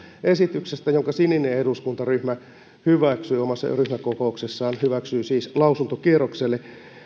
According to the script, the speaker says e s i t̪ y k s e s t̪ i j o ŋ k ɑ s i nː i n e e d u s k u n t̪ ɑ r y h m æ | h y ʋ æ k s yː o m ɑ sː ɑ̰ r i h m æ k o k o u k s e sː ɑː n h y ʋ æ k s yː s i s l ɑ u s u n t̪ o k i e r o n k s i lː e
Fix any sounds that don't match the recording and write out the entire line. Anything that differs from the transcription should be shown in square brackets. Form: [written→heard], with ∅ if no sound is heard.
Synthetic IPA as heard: e s i t̪ y k s e s t̪ [i→æ] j o ŋ k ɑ s i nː i n e e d u s k u n t̪ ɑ r y h m æ | h y ʋ æ k s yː o m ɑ sː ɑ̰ r [i→y] h m æ k o k o u k s e sː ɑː n h y ʋ æ k s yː s [i→iː] s l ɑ u s u n t̪ o k i e r o [n→∅] k s [i→e] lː e

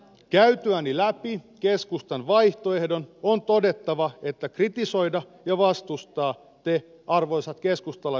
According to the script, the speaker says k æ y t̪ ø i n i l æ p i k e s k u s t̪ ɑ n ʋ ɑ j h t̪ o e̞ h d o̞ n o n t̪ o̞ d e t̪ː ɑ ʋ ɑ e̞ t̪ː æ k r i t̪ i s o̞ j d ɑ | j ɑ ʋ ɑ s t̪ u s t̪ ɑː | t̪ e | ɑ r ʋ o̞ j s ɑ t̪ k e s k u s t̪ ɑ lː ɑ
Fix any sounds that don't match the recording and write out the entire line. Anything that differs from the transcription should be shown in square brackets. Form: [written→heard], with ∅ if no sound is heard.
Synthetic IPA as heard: k æ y t̪ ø [i→æ] n i l æ p i k e s k u s t̪ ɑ n ʋ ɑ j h t̪ o e̞ h d o̞ n o n t̪ o̞ d e t̪ː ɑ ʋ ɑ e̞ t̪ː æ k r i t̪ i s o̞ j d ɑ | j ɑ ʋ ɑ s t̪ u s t̪ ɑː | t̪ e | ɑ r ʋ o̞ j s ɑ t̪ k e s k u s t̪ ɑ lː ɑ

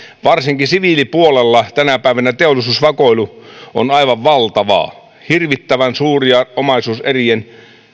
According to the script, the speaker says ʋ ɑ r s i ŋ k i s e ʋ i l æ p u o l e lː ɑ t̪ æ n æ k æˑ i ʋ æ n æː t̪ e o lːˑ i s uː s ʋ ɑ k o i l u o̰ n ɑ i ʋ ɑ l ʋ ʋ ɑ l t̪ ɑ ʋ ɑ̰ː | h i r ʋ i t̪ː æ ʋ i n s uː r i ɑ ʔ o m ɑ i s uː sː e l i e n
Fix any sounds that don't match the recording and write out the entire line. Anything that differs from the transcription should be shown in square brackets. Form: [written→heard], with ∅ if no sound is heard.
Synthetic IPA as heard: ʋ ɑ r s i ŋ k i s [e→i] ʋ i l [æ→i] p u o l e lː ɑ t̪ æ n æ [k→p] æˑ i ʋ æ n [æː→æ] t̪ e o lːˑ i s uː s ʋ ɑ k o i l u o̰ n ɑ i ʋ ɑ [l→∅] ʋ ʋ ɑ l t̪ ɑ ʋ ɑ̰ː | h i r ʋ i t̪ː æ ʋ [i→æ] n s uː r i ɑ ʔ o m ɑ i s uː [sː→s] e [l→r] i e n

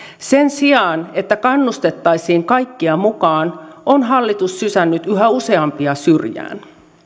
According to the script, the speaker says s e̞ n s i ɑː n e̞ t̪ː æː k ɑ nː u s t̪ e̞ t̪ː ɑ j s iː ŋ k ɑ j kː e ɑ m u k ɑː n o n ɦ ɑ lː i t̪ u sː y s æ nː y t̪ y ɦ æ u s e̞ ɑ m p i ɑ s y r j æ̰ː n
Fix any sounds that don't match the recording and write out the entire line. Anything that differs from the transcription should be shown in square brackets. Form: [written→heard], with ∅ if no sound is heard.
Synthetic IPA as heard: s e̞ n s i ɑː n e̞ t̪ː [æː→æ] k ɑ nː u s t̪ e̞ t̪ː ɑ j s iː ŋ k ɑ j kː [e→i] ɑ m u k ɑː n o n ɦ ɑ lː i t̪ u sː y s æ nː y t̪ y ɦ æ u s e̞ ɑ m p i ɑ s y r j æ̰ː n

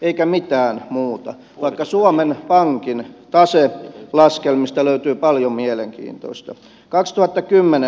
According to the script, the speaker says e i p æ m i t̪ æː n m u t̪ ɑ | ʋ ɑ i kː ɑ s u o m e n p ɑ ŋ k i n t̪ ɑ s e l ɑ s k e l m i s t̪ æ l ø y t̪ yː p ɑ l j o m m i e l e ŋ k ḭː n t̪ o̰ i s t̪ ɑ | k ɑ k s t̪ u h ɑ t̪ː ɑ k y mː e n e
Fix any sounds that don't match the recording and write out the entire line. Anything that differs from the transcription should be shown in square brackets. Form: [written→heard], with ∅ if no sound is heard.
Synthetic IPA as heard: e i [p→k] æ m i t̪ æː n m [u→uː] t̪ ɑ | ʋ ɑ i kː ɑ s u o m e n p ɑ ŋ k i n t̪ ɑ s e l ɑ s k e l m i s t̪ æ l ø y t̪ yː p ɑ l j o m m i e l e ŋ k ḭː n t̪ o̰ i s t̪ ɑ | k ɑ k s t̪ u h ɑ t̪ː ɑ k y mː e n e

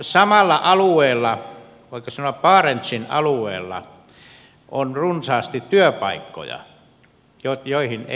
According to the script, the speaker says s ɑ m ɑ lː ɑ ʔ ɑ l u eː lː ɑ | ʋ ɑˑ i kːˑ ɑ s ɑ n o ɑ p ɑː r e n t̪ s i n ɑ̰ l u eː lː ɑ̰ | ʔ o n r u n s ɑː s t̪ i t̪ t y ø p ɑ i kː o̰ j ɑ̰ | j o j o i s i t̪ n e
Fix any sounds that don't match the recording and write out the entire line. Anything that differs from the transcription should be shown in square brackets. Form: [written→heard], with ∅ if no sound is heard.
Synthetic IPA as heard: s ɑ m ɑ lː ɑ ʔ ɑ l u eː lː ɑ | ʋ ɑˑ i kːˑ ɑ s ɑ n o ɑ p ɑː r e n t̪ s i n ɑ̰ l u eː lː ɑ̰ | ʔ o n r u n s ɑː s t̪ i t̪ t y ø p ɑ i kː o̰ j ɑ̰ | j o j o i [s→h] i [t̪→∅] n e

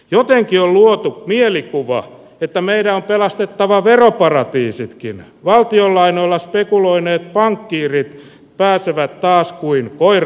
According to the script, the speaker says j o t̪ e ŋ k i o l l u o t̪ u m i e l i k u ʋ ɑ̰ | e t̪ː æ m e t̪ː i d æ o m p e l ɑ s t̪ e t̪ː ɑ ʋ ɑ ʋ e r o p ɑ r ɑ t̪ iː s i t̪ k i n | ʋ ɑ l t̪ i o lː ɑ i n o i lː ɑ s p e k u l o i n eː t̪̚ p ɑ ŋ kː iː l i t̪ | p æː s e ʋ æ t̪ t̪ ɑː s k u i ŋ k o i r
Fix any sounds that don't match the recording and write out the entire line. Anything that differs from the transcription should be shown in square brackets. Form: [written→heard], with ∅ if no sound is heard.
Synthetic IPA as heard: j o t̪ e ŋ k i o l l u o t̪ u m i e l i k u ʋ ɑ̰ | e t̪ː æ m e [t̪ː→∅] i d æ o m p e l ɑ s t̪ e t̪ː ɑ ʋ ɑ ʋ e r o p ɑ r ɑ t̪ iː s i t̪ k i n | ʋ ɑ l t̪ i o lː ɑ i n o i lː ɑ s p e k u l o i n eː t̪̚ p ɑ ŋ kː iː [l→r] i t̪ | p æː s e ʋ æ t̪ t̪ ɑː s k u i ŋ k o i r

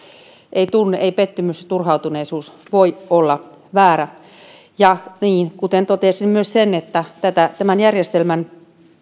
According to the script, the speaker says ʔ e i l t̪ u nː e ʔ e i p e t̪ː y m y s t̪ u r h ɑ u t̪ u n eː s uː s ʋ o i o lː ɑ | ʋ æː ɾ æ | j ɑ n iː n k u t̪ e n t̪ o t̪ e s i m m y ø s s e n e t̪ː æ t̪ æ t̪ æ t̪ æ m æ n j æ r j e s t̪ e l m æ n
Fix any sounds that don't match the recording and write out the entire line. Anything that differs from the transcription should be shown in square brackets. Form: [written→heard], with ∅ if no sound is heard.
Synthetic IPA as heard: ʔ e i [l→∅] t̪ u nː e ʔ e i p e t̪ː y m y s t̪ u r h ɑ u t̪ u n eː s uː s ʋ o i o lː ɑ | ʋ æː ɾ æ | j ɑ n iː n k u t̪ e n t̪ o t̪ e s i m m y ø s s e n e t̪ː æ t̪ æ t̪ æ t̪ æ m æ n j æ r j e s t̪ e l m æ n

